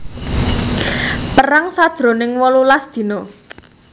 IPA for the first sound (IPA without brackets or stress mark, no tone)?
p